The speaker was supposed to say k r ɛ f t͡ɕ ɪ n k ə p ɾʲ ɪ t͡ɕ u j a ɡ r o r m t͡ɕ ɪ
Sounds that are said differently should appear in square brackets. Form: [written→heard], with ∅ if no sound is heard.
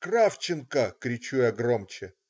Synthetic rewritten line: k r [ɛ→a] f t͡ɕ ɪ n k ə [p→k] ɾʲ ɪ t͡ɕ u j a ɡ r o [r→∅] m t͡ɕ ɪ